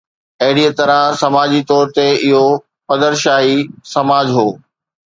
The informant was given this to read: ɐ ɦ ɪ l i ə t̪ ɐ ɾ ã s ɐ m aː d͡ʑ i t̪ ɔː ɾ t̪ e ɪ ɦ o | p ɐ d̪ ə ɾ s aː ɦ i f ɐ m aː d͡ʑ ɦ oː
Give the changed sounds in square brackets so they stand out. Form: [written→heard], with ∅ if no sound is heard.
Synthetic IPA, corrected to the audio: ɐ ɦ ɪ [l→ɽ] i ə t̪ ɐ ɾ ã s ɐ m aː d͡ʑ i t̪ ɔː ɾ t̪ e ɪ ɦ o | p ɐ d̪ ə ɾ [s→ʃ] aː ɦ i [f→s] ɐ m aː d͡ʑ ɦ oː